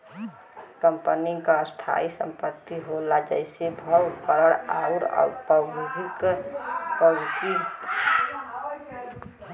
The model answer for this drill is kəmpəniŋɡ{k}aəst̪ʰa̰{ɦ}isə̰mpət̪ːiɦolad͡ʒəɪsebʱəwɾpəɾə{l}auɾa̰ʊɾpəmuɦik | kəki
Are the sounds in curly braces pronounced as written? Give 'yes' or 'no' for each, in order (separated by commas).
yes, no, no